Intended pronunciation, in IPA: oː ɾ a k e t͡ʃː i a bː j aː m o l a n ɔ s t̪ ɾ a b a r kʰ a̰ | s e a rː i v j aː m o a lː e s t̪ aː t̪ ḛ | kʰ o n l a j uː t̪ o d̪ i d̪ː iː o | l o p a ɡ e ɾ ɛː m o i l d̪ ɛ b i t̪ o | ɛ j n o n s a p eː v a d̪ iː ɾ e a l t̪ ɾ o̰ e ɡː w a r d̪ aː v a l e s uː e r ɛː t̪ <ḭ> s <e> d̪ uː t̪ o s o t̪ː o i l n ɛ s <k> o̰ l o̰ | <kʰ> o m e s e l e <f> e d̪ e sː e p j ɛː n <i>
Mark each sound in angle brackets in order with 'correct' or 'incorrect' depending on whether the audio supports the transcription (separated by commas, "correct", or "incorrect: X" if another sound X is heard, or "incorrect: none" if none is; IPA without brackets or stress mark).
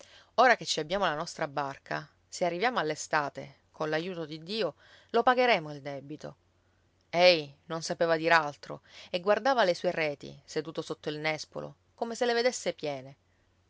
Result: correct, correct, incorrect: p, incorrect: k, incorrect: v, incorrect: e